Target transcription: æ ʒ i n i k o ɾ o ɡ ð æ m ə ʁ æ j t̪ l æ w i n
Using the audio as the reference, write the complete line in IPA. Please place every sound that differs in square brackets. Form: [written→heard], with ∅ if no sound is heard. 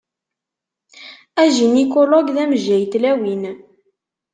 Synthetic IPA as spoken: æ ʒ i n i k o [ɾ→l] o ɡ ð æ m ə [ʁ→ʒ] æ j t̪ l æ w i n